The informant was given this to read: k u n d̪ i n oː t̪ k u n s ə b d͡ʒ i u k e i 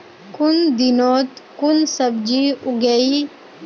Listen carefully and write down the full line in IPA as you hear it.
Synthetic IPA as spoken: k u n d̪ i n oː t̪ k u n s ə b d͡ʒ i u ɡ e i